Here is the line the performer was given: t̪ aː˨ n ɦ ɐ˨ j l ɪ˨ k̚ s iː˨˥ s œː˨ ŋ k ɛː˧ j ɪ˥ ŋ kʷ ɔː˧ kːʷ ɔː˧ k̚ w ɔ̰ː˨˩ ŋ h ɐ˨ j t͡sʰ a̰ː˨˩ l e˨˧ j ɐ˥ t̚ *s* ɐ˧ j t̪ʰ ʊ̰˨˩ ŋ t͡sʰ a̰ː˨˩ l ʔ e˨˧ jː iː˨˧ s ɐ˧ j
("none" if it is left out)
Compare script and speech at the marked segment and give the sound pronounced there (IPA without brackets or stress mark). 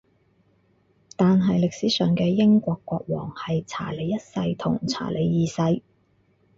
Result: s